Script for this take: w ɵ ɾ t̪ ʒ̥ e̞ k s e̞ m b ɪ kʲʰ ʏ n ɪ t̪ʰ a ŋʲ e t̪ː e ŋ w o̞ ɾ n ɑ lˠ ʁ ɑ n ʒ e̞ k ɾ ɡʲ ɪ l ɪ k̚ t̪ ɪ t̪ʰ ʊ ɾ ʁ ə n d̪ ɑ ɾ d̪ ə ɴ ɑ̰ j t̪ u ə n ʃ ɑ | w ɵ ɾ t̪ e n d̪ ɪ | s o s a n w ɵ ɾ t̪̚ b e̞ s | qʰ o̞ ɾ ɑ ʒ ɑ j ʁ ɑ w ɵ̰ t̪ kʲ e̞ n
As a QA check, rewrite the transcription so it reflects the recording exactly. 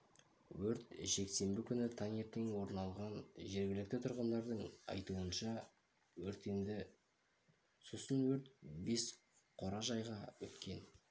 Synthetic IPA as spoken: w ɵ ɾ t̪ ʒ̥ e̞ k s e̞ m b ɪ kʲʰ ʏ n ɪ t̪ʰ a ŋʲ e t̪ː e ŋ w o̞ ɾ n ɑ lˠ ʁ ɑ n ʒ e̞ ɾ ɡʲ ɪ l ɪ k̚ t̪ ɪ t̪ʰ ʊ ɾ ʁ ə n d̪ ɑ ɾ d̪ ə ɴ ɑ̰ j t̪ u ə n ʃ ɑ | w ɵ ɾ t̪ e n d̪ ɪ | s o s ə n w ɵ ɾ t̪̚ b e̞ s | qʰ o̞ ɾ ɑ ʒ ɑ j ʁ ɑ w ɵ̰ t̪ kʲ e̞ n